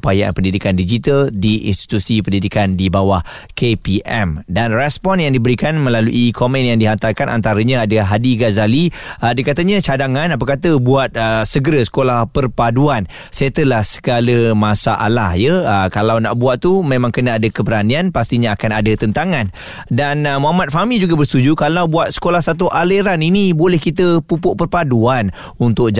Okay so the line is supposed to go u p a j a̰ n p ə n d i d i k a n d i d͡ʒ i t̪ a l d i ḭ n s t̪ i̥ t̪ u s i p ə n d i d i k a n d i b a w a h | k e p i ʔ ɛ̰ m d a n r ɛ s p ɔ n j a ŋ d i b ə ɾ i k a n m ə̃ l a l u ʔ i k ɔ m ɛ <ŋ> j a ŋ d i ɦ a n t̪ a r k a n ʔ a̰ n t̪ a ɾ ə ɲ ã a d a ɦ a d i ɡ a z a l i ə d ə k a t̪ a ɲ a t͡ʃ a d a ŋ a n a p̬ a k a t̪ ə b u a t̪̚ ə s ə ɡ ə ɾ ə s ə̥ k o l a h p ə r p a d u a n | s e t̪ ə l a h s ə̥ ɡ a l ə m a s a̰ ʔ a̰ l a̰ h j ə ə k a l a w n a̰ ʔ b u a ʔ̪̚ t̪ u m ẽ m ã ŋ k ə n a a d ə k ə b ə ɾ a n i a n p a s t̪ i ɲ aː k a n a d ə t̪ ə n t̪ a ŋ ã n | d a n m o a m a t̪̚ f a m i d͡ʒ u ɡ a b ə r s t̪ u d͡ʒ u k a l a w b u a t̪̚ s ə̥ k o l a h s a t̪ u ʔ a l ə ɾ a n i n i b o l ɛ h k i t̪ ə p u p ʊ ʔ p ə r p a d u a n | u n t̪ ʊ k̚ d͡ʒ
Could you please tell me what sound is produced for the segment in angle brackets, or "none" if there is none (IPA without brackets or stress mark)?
n